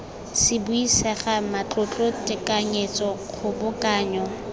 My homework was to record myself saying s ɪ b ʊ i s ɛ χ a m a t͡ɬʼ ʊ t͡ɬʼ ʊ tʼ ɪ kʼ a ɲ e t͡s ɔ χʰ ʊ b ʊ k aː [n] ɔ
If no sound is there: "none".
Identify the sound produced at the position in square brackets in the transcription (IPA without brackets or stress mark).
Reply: ɲ